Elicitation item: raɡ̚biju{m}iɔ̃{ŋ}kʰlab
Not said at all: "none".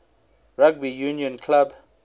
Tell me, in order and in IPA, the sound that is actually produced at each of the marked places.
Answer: n, n

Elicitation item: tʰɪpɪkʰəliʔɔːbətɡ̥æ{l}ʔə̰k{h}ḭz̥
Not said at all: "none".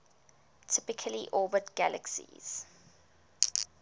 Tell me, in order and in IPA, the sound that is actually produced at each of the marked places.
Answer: l, s

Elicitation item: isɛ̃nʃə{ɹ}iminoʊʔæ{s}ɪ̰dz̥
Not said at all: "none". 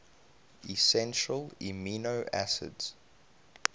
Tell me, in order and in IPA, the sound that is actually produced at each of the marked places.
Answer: l, s

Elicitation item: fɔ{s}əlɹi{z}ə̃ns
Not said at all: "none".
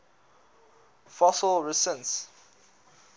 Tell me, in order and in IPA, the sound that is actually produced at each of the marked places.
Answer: s, s

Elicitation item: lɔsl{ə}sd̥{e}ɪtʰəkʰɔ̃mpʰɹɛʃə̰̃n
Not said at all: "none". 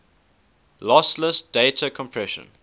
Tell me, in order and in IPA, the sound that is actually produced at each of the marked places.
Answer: ə, e

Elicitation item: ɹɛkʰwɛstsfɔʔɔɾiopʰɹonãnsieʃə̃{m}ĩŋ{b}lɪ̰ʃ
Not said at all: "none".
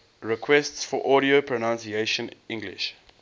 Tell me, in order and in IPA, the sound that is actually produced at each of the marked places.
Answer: n, ɡ

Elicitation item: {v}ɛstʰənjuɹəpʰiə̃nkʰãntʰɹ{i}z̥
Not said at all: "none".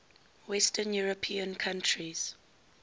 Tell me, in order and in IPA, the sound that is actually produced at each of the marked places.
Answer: w, i

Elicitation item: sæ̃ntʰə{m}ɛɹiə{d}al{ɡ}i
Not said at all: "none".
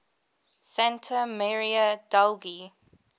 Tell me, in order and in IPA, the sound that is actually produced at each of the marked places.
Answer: m, d, ɡ

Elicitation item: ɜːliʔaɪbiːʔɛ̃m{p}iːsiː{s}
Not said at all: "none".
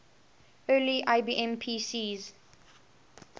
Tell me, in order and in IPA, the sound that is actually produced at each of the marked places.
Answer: pʰ, z

